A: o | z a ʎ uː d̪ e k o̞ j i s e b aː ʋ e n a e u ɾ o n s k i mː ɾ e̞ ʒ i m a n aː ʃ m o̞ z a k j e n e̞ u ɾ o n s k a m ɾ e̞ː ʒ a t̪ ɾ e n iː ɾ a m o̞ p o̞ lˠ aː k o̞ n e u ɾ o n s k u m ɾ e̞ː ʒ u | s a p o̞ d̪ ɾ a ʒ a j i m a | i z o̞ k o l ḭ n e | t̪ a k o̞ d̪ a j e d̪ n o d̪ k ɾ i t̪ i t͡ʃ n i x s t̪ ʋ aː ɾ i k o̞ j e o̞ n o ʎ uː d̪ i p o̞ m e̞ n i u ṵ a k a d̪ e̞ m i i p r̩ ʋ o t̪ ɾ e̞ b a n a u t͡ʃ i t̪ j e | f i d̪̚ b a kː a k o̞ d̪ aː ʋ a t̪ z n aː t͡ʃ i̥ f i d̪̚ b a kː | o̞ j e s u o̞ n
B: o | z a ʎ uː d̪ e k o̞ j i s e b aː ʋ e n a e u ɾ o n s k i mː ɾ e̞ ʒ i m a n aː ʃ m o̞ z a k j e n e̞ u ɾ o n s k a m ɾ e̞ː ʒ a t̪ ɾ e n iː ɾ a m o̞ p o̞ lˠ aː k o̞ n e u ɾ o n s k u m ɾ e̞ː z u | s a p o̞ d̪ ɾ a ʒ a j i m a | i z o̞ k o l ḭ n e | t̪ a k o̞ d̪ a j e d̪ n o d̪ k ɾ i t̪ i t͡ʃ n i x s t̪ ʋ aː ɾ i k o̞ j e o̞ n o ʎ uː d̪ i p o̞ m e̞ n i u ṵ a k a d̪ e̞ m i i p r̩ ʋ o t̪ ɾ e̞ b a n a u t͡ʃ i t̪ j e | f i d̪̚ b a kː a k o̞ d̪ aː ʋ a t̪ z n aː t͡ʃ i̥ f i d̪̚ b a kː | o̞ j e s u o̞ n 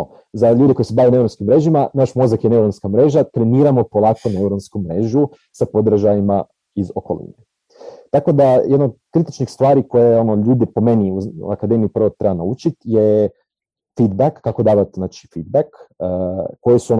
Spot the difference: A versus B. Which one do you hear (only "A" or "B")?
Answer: A